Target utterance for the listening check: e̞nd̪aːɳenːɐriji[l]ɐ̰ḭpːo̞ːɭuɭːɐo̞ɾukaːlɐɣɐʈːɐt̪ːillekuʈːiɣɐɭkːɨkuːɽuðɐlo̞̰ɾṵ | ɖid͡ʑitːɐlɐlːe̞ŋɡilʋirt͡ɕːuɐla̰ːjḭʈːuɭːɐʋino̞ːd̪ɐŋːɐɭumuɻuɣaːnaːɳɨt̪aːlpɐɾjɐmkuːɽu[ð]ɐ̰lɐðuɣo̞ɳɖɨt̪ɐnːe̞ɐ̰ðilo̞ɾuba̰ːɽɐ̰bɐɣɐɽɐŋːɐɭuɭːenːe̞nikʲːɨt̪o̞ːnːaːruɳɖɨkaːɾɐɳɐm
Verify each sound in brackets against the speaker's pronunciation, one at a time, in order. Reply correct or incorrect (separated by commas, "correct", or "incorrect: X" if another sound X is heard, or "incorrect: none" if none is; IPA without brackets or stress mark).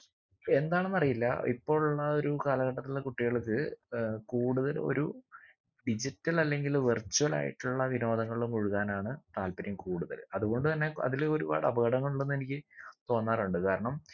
incorrect: lː, correct